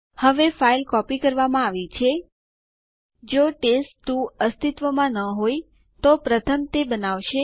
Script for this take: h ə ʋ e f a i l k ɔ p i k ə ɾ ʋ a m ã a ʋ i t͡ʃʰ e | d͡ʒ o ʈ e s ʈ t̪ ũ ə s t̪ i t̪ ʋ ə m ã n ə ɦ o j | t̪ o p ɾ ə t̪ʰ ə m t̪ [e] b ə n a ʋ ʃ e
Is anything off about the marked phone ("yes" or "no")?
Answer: no